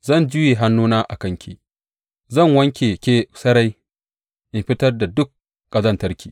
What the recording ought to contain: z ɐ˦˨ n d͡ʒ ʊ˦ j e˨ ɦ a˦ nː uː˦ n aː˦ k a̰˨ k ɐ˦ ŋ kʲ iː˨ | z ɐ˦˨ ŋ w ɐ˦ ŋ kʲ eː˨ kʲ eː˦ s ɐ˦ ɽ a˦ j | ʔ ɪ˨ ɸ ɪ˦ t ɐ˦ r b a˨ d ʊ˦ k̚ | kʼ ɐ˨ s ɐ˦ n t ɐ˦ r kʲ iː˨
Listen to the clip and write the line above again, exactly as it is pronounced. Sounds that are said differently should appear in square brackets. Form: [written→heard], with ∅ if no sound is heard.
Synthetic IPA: z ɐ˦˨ n d͡ʒ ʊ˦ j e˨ ɦ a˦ nː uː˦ n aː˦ [k→ʔ] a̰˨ k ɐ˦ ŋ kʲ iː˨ | z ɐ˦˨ ŋ w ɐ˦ ŋ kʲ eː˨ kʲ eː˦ s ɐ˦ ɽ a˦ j | ʔ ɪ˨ ɸ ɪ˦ t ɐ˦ r [b→d] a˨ d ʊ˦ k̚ | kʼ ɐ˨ [s→z] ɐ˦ n t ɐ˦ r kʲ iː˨

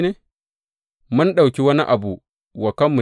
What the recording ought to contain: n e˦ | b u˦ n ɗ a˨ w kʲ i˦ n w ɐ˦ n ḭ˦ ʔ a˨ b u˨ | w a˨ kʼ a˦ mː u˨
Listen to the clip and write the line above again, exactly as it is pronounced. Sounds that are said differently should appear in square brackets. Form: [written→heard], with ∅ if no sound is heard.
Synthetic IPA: n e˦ | [b→m] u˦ n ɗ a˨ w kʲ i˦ [n→∅] w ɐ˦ n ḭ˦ ʔ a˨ b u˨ | w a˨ [kʼ→k] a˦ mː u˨

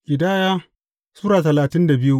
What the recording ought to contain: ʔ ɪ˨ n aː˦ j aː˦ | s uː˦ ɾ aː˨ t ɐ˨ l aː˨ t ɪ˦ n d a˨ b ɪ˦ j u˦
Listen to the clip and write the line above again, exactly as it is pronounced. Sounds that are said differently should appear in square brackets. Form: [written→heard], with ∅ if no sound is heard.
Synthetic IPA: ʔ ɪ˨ [n→d] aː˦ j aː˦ | s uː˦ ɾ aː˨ t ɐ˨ l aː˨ t ɪ˦ n d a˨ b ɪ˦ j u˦

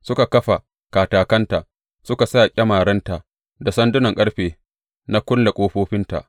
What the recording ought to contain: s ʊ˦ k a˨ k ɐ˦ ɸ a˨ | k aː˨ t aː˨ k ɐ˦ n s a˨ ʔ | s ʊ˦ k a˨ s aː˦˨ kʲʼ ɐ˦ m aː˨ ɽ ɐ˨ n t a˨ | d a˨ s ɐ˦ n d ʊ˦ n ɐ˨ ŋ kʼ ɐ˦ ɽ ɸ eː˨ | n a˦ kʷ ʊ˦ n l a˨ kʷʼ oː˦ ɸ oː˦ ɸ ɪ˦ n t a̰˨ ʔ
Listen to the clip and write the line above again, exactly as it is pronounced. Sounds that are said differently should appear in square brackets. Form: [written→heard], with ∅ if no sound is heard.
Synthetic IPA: s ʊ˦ k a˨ k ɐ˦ ɸ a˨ | k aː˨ t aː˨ k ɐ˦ n [s→t] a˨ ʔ | s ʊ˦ k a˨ s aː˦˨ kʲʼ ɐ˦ m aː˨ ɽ [ɐ˨→ɐ˦] n t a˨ | d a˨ s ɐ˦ n d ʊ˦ n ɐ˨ ŋ kʼ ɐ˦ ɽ ɸ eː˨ | n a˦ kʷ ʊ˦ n l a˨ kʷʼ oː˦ ɸ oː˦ ɸ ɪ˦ n t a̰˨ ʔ

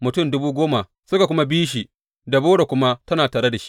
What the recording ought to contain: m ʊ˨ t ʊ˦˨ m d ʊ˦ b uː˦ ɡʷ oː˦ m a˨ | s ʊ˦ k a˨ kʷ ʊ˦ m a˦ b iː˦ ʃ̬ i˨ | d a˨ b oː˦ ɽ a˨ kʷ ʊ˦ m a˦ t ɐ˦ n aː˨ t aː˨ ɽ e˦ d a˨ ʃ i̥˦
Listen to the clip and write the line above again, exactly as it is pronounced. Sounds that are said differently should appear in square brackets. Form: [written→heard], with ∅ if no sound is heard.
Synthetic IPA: m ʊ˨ t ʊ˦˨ m d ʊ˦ b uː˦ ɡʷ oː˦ m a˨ | s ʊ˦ k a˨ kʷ ʊ˦ m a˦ b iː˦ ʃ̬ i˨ | d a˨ b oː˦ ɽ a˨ kʷ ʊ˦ m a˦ t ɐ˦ n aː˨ t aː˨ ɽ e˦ d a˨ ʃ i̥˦

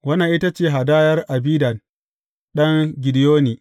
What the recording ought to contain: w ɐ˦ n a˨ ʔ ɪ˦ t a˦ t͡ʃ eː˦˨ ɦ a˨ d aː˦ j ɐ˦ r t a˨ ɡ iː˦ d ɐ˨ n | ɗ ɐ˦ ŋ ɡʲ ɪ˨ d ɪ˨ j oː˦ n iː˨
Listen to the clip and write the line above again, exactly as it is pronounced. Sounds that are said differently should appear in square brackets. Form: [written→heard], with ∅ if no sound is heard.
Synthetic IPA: w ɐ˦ n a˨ ʔ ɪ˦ t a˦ t͡ʃ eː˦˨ ɦ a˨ d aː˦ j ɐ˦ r [t→ʔ] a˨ [ɡ→b] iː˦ d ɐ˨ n | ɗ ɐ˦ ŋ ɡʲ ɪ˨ d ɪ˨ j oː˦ n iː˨

